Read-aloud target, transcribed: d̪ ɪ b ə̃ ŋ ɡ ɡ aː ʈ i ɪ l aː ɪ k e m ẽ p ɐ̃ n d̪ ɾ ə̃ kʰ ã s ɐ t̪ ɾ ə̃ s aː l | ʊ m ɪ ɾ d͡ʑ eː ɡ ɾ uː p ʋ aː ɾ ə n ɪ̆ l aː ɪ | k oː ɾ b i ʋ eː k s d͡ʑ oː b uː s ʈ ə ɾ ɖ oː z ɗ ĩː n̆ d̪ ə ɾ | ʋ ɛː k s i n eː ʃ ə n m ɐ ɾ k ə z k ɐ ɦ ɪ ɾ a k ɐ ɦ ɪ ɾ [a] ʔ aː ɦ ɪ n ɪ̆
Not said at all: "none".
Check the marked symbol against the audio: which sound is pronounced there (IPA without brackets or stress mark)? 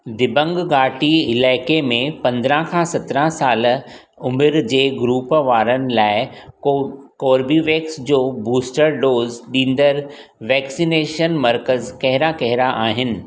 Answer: a